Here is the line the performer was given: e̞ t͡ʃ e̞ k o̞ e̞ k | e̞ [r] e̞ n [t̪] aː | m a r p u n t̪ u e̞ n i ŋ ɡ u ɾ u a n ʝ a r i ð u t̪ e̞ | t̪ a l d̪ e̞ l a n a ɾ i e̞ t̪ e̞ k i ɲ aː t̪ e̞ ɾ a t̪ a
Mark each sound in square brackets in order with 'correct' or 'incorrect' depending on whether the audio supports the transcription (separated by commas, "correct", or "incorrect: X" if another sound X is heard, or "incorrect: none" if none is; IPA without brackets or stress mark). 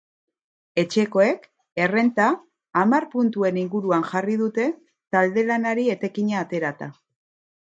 correct, correct